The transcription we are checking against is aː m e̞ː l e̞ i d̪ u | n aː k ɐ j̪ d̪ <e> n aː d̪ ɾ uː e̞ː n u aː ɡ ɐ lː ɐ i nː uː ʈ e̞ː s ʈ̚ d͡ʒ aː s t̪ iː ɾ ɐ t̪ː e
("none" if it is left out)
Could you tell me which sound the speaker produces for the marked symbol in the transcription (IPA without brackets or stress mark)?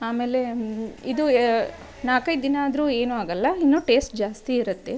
i